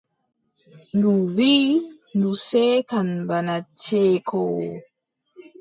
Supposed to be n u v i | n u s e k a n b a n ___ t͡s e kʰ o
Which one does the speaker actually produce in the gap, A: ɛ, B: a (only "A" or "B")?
B